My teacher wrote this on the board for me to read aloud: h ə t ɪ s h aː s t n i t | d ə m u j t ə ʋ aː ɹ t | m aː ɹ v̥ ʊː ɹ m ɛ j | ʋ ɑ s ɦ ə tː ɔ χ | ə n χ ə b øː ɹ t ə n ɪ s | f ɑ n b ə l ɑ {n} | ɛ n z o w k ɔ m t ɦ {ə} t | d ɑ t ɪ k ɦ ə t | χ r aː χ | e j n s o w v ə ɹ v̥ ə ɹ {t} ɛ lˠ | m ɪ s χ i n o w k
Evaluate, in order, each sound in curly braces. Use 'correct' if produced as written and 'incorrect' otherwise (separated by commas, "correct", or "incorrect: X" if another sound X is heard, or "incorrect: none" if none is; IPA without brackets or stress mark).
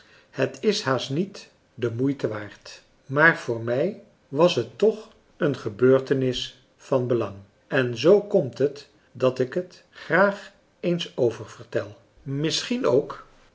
incorrect: ŋ, correct, correct